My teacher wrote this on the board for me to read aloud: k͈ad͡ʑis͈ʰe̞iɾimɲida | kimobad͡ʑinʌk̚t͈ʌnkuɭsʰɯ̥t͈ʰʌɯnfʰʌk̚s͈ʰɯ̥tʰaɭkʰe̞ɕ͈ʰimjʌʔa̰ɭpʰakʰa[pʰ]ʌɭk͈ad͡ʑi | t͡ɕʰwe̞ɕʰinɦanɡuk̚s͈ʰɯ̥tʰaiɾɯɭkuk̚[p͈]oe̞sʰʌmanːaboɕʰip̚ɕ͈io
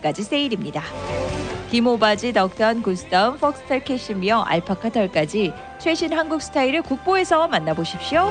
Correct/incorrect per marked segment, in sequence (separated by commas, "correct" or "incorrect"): incorrect, correct